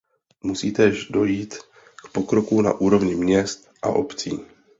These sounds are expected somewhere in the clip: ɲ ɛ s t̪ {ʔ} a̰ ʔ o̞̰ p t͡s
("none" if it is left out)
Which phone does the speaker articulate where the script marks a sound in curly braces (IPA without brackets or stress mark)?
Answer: ʔ